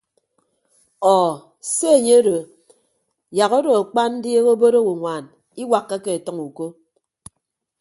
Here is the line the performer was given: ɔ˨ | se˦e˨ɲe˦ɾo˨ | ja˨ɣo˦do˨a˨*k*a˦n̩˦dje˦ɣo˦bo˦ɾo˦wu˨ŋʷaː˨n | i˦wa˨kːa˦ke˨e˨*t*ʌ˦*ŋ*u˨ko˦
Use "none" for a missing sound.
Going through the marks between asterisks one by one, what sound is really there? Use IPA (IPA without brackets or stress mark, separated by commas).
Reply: k͡p, t, ŋ